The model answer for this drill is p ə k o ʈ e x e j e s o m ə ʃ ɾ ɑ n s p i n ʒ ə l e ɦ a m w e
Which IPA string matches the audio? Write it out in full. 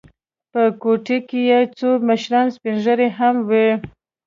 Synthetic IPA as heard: p ə k o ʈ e k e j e t͡s o m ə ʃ ɾ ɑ n s p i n ʒ ə ɾ e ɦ a m w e